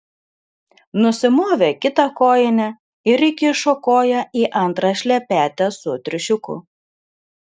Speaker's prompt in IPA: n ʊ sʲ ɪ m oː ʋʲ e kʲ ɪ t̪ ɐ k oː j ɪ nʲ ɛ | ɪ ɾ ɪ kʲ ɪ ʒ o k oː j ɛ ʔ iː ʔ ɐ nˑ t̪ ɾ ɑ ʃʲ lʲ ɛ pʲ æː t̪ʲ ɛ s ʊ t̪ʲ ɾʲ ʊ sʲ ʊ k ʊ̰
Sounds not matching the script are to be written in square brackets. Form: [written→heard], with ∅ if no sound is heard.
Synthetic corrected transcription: n ʊ sʲ ɪ m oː ʋʲ e kʲ ɪ t̪ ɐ k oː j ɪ nʲ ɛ | ɪ ɾ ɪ kʲ ɪ [ʒ→ʃ] o k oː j ɛ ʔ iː ʔ ɐ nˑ t̪ ɾ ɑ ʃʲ lʲ ɛ pʲ æː t̪ʲ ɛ s ʊ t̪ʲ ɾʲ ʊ [sʲ→ʃʲ] ʊ k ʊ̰